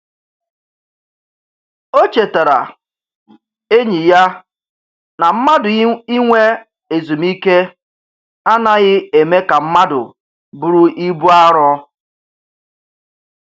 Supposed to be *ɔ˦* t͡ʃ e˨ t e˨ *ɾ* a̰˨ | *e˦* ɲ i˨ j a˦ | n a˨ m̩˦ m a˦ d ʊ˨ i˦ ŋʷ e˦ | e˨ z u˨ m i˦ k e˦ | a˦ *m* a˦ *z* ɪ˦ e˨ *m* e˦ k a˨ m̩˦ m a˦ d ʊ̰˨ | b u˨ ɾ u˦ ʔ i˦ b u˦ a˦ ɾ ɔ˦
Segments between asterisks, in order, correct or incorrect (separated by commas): incorrect, correct, correct, incorrect, incorrect, correct